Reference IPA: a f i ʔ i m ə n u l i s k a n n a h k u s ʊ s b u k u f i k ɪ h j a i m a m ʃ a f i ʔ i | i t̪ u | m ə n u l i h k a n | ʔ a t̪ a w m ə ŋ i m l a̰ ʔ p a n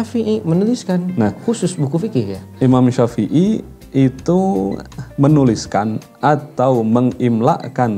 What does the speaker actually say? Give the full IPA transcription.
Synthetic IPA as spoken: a f i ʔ i m ə n u l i s k a n n a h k u s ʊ s b u k u f i k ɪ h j a i m a m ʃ a f i ʔ i | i t̪ u | m ə n u l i s k a n | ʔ a t̪ a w m ə ŋ i m l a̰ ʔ k a n